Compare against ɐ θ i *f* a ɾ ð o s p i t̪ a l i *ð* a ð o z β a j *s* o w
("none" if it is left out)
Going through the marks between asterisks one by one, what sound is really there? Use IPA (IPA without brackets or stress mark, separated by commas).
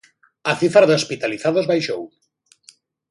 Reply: f, θ, ʃ